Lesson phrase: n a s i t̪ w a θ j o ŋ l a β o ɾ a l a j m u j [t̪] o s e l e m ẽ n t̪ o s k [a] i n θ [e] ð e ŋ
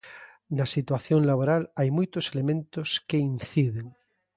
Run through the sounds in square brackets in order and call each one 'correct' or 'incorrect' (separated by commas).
correct, incorrect, incorrect